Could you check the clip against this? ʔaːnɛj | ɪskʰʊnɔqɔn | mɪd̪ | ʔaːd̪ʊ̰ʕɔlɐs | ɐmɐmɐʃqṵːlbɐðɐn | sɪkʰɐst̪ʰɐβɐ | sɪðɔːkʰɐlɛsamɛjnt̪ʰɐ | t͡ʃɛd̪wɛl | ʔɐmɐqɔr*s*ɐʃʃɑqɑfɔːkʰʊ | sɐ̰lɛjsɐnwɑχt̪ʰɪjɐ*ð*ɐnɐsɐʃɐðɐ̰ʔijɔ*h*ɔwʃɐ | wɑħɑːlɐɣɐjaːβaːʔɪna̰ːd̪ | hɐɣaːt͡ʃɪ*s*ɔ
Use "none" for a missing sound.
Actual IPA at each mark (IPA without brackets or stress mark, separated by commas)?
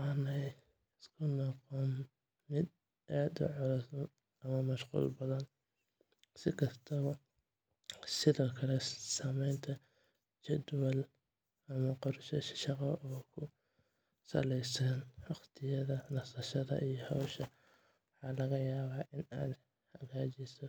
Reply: ʃ, ð, h, s